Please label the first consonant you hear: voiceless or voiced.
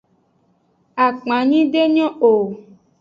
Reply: voiceless